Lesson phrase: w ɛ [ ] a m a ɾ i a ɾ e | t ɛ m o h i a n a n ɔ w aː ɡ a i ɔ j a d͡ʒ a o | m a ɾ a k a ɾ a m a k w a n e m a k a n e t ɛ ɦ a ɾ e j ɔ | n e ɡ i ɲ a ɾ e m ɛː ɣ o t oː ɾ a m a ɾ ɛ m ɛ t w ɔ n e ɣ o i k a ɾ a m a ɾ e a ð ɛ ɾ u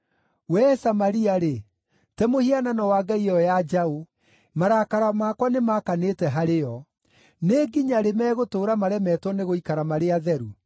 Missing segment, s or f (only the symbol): s